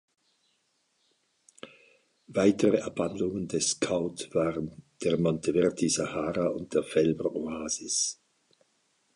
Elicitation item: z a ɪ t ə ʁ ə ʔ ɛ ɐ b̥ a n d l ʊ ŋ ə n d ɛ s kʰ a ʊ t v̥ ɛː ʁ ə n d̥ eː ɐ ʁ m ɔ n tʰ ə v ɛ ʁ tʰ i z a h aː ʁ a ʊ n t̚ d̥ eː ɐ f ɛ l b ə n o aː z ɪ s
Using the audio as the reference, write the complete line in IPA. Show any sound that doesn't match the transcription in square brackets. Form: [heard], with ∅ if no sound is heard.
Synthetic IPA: [v] a ɪ t ə ʁ ə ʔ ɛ ɐ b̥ a n d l ʊ ŋ ə n d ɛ s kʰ a ʊ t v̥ [aː] ʁ ə n d̥ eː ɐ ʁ m ɔ n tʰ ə v ɛ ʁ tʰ i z a h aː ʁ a ʊ n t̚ d̥ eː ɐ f ɛ l b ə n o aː z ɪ s